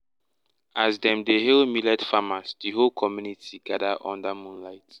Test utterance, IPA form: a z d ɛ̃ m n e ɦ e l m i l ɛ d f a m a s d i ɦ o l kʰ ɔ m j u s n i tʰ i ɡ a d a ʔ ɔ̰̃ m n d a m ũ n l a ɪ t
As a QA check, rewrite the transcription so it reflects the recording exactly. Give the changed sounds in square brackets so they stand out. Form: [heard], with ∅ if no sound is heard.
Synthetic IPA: a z d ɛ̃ m [d] e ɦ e l m i l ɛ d f a m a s d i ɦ o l kʰ ɔ m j u [∅] n i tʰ i ɡ a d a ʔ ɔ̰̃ [∅] n d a m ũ n l a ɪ t